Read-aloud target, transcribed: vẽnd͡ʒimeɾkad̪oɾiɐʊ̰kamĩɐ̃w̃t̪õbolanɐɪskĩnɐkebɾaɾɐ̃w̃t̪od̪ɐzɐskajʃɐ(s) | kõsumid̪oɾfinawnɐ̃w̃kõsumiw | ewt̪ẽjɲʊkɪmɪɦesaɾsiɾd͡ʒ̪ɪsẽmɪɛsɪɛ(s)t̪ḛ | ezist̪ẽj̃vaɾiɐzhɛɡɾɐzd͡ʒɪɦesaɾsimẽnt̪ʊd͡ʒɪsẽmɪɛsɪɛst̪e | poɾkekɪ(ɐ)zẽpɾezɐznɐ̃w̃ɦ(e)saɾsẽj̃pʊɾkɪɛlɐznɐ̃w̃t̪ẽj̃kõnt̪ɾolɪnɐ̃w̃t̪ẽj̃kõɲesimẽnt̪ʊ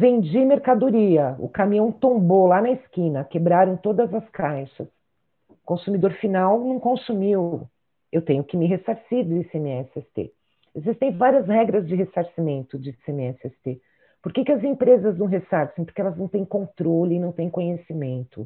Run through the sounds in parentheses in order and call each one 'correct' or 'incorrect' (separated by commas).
correct, correct, correct, correct